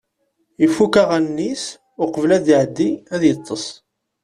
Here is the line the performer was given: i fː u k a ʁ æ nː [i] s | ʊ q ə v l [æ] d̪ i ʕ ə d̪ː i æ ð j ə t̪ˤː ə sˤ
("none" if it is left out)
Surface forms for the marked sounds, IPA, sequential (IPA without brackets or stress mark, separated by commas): i, æ